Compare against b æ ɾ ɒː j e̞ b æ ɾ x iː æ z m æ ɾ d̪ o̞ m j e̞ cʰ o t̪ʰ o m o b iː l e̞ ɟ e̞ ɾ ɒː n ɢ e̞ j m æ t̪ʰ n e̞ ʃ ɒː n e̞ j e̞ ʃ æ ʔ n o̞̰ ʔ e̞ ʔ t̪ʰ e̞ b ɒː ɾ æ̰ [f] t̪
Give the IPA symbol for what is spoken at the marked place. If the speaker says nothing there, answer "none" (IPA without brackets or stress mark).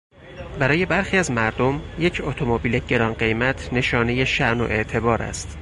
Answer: s